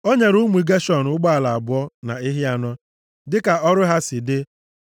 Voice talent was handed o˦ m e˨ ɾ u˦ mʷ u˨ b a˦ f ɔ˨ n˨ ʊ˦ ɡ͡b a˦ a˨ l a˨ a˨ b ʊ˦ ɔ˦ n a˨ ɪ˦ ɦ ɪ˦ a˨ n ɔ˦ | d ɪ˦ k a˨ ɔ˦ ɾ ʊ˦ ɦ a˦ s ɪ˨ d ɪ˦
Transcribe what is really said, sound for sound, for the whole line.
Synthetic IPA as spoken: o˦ ɲ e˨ ɾ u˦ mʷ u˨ ɡ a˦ ʃ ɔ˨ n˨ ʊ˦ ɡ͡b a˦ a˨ l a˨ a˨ b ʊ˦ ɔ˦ n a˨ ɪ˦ ɦ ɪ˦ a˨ n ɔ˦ | d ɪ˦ k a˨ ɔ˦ ɾ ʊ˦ ɦ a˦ s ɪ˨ d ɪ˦